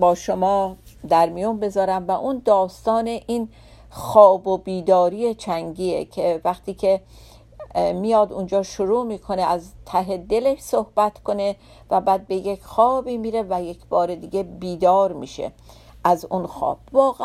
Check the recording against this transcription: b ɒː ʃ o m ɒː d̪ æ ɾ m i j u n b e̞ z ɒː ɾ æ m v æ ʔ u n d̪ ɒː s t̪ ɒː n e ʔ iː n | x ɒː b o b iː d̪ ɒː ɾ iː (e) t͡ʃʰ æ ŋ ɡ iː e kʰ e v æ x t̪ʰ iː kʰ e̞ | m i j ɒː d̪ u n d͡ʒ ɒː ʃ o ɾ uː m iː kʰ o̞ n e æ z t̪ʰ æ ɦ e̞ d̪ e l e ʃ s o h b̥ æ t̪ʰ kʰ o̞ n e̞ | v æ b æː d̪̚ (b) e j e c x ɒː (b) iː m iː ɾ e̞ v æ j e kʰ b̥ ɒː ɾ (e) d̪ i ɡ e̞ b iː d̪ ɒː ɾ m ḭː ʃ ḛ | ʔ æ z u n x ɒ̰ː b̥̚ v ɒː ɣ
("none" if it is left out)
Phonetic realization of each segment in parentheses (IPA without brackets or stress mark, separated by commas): e, b, b, e